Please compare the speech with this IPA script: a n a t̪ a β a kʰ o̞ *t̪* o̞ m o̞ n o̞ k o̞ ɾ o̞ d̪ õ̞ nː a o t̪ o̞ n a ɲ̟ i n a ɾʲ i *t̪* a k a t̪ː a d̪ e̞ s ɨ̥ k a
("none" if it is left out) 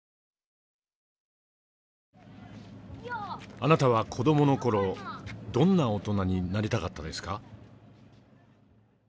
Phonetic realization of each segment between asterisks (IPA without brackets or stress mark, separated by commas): d̪, t̪